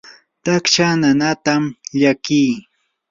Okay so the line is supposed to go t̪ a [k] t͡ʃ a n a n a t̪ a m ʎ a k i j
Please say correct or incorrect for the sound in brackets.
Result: correct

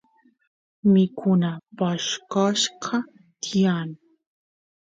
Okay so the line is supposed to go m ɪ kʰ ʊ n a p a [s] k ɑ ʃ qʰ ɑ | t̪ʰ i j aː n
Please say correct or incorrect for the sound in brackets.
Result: incorrect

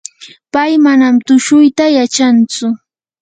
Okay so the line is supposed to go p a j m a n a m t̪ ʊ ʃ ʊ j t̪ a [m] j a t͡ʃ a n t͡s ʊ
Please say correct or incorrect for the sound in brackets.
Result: incorrect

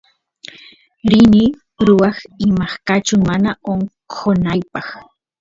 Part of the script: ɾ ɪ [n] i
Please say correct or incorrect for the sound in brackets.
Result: correct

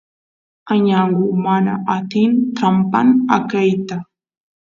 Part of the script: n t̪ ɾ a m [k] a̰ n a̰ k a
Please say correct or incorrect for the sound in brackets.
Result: incorrect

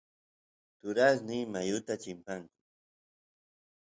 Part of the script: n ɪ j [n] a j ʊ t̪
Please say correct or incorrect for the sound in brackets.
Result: incorrect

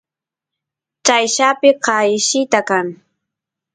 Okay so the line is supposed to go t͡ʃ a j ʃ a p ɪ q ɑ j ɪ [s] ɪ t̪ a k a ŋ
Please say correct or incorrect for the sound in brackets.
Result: incorrect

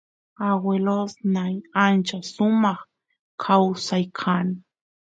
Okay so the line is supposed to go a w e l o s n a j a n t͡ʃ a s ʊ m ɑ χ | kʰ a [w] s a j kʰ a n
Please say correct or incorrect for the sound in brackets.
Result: correct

